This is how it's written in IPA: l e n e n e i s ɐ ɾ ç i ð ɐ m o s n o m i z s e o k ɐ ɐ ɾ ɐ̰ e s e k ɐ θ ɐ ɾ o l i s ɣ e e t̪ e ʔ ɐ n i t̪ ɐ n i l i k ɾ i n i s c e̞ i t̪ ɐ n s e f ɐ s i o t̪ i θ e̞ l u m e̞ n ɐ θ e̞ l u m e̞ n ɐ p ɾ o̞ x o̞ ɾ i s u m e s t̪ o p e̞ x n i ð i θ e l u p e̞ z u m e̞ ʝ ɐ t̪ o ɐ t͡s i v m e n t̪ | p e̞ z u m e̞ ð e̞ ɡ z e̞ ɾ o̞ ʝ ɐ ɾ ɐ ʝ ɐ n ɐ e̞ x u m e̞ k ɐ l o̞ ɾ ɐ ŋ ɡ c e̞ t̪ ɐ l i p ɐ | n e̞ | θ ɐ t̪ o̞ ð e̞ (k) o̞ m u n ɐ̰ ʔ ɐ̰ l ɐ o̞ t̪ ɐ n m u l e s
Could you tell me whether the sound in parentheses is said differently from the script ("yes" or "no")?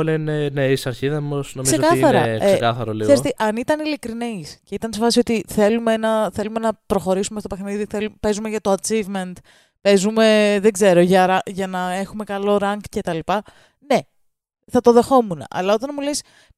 yes